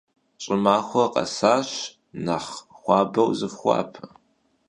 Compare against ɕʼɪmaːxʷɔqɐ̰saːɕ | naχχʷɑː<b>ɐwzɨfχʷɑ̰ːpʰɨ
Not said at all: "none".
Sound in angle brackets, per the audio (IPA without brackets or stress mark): b